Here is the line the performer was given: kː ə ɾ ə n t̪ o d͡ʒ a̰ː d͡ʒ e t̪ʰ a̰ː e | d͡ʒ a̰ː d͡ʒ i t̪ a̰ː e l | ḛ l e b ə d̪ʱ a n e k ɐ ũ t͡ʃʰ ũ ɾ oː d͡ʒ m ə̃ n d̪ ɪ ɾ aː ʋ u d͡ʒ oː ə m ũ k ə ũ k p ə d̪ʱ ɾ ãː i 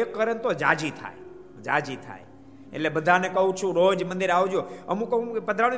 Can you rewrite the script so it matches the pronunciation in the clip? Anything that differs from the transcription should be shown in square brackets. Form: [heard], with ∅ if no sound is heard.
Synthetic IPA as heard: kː ə ɾ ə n t̪ o d͡ʒ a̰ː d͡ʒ [i] t̪ʰ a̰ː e | d͡ʒ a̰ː d͡ʒ i [t̪ʰ] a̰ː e [∅] | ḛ l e b ə d̪ʱ a n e k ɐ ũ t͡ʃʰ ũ ɾ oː d͡ʒ m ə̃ n d̪ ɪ ɾ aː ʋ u d͡ʒ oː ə m ũ k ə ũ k p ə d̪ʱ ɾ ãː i